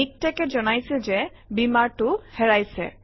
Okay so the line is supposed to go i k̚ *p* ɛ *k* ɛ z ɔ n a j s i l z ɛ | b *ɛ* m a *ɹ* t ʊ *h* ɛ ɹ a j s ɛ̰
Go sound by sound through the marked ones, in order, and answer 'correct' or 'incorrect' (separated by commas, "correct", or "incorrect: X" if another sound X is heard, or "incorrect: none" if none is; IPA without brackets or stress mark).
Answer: incorrect: t, correct, incorrect: i, correct, correct